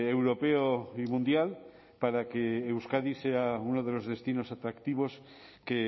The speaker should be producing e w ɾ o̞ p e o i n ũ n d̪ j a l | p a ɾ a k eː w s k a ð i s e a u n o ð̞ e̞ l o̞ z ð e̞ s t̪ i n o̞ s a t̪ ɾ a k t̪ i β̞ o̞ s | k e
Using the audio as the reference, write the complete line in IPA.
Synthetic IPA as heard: e w ɾ o̞ p e o i m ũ n d̪ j a l | p a ɾ a k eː w s k a ð i s e a u n o ð̞ e̞ l o̞ z ð e̞ s t̪ i n o̞ s a t̪ ɾ a k t̪ i β̞ o̞ s | k e